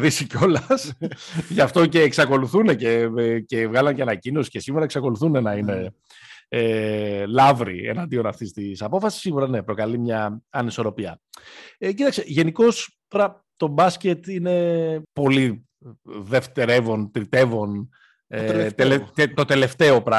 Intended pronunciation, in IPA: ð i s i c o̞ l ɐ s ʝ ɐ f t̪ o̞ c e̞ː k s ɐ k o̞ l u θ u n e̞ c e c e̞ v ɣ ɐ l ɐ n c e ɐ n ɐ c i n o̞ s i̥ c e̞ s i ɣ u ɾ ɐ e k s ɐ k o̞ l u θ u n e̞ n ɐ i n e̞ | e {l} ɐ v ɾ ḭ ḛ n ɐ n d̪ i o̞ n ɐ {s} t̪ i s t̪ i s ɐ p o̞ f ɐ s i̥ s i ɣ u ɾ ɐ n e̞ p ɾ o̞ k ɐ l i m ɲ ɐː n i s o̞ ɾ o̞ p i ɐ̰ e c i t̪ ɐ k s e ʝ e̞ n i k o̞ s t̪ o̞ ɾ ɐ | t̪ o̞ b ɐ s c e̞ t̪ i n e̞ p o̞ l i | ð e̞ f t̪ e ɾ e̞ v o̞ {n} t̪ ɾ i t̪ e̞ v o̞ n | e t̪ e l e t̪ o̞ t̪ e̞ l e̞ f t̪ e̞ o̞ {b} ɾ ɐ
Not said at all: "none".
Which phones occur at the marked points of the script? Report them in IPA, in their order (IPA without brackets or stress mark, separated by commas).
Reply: l, f, n, p